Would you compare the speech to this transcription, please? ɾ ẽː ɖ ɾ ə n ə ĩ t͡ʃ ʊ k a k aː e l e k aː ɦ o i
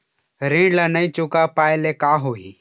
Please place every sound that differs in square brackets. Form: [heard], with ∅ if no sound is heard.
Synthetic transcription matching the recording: ɾ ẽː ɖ [l] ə n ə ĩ t͡ʃ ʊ k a [p] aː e l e k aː ɦ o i